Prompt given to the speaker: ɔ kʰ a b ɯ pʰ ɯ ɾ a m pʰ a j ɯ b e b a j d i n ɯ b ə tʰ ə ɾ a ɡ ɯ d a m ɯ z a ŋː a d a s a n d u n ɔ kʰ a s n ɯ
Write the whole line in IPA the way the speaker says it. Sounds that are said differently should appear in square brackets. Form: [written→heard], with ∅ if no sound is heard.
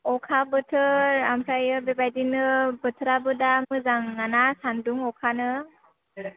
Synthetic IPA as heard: ɔ kʰ a b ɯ [pʰ→tʰ] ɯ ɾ a m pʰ a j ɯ b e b a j d i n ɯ b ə tʰ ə ɾ a [ɡ→b] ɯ d a m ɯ z a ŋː a [d→n] a s a n d u [n→ŋ] ɔ kʰ a [s→∅] n ɯ